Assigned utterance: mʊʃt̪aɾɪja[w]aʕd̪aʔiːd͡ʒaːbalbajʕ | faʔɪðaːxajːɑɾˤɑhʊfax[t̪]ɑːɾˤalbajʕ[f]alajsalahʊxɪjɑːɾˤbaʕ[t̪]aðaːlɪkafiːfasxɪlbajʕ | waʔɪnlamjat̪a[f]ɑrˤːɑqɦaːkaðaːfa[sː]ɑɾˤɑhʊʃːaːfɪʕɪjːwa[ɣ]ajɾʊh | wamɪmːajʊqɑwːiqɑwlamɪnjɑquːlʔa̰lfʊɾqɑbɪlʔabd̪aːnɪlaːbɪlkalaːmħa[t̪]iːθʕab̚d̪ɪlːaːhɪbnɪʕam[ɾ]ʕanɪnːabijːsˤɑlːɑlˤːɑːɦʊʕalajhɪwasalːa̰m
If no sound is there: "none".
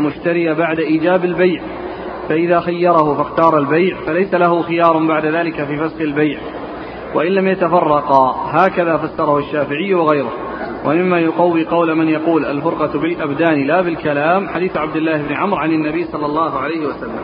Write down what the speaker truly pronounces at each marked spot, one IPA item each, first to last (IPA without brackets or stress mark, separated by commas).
b, t̪, f, d̪, f, sː, ɣ, d̪, ɾ